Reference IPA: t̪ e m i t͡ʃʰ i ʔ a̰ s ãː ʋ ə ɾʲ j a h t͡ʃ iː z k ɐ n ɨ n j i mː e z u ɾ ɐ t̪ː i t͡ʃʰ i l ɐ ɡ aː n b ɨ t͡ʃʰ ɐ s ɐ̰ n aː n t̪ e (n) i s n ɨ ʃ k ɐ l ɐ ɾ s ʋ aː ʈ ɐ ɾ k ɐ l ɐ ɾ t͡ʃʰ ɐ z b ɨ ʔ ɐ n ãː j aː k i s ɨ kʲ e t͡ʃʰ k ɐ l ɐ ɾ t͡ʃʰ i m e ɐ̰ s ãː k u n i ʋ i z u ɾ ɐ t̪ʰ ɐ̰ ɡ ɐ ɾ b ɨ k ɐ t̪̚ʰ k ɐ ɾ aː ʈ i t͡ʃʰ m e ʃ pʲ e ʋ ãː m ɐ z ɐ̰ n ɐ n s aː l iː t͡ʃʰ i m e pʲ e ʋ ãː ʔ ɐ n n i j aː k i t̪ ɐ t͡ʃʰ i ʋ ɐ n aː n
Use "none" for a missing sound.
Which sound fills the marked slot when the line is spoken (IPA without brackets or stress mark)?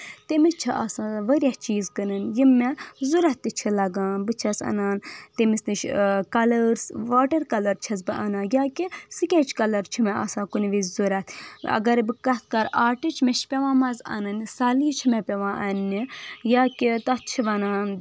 m